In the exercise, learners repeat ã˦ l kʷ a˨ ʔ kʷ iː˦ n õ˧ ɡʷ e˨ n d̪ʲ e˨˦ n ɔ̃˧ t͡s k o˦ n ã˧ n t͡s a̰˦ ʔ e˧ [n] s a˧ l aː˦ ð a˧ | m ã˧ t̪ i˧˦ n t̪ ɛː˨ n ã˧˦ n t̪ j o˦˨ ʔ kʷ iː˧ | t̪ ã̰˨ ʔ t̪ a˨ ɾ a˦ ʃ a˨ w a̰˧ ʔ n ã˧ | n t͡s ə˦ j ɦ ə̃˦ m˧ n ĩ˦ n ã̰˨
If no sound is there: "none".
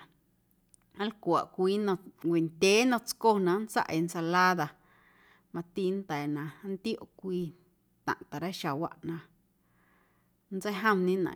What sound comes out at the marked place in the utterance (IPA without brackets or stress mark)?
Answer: n